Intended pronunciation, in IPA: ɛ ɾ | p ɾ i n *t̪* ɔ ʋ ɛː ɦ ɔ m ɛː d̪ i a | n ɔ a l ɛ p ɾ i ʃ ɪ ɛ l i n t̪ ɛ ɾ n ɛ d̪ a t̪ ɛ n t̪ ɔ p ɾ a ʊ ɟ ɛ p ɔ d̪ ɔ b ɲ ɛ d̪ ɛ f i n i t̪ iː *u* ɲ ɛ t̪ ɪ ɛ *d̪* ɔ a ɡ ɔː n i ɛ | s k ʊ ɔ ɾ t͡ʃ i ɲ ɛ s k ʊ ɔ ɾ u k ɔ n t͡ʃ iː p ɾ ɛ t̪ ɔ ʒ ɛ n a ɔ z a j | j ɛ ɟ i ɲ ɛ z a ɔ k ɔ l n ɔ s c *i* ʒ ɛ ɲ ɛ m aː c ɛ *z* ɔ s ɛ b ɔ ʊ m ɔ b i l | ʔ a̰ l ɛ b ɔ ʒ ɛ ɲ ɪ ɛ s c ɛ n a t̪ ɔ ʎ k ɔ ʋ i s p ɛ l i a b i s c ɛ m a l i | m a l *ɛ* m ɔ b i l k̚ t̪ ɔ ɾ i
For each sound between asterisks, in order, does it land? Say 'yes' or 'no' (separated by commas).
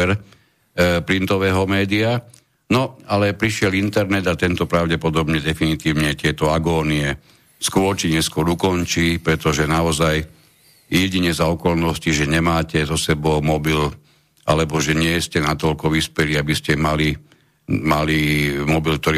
yes, no, no, yes, yes, no